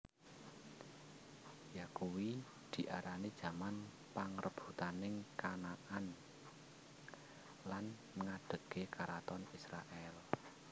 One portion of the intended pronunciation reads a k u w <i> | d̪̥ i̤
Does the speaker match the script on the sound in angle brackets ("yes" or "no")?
yes